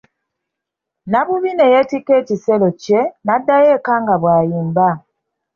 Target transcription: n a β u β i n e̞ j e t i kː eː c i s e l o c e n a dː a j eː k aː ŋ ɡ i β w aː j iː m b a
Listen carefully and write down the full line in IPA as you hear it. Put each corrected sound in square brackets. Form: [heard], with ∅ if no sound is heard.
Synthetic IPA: n a β u β i n e̞ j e t i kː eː c i s e l o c e n a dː a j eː k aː ŋ ɡ [a] β w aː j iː m b a